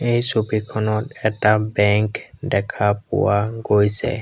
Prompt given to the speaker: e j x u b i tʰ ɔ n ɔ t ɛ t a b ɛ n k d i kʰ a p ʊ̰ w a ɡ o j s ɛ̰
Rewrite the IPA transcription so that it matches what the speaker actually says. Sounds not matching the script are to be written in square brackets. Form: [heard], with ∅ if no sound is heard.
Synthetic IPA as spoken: e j [s] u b i [kʰ] ɔ n ɔ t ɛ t a b ɛ [ŋ] k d [ɛ] kʰ a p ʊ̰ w a ɡ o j s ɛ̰